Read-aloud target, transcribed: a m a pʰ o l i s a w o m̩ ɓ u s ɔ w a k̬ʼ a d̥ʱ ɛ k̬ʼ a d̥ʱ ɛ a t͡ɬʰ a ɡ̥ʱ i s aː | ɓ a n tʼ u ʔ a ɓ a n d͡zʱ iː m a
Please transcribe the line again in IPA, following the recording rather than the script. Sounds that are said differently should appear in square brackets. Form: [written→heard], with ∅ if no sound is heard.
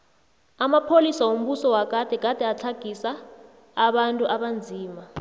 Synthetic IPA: a m a pʰ o l i s a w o m̩ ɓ u s ɔ w a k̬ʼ a d̥ʱ ɛ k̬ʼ a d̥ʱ ɛ a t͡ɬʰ a ɡ̥ʱ i s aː | ɓ a n tʼ u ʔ a ɓ a n d͡zʱ iː m a